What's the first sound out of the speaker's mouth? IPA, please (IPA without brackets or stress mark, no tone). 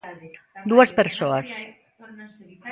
d̪